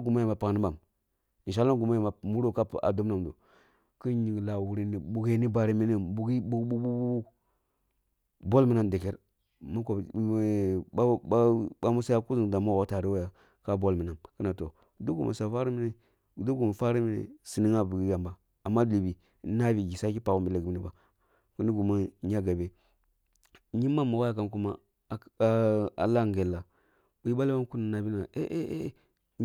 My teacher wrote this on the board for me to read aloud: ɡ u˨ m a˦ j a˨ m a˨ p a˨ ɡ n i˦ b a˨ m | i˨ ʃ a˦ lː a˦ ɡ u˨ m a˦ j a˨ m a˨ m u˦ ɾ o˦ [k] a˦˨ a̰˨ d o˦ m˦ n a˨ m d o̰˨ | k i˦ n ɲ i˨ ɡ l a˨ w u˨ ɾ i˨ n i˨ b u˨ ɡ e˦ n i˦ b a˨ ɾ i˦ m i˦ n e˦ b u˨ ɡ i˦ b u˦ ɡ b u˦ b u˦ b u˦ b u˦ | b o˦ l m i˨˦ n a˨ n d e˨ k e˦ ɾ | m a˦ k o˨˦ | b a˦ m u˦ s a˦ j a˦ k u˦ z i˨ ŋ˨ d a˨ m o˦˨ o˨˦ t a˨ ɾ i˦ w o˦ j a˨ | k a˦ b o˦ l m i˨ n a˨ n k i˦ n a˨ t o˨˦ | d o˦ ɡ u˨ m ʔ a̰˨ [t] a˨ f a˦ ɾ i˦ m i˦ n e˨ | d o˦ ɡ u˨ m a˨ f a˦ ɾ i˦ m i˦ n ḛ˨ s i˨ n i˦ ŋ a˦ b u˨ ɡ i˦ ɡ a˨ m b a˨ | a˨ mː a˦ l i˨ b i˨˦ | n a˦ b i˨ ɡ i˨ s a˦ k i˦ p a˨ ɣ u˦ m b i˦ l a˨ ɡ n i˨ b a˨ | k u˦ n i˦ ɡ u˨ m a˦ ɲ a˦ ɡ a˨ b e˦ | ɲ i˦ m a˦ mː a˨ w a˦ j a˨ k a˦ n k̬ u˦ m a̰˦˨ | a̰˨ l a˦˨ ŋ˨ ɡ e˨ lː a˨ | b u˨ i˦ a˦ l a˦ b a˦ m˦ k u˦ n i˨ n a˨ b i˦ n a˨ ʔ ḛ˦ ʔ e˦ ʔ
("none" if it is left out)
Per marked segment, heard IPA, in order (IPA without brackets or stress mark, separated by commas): k, s